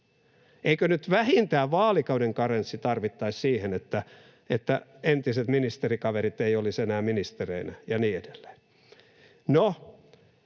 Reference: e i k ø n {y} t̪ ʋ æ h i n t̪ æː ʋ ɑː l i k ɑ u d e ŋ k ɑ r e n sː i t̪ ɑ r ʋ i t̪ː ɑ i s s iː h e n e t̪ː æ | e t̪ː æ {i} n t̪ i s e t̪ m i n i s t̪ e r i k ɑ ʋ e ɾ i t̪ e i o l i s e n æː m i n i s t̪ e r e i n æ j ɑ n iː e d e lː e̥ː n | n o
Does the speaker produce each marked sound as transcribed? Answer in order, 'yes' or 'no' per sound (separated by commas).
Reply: yes, no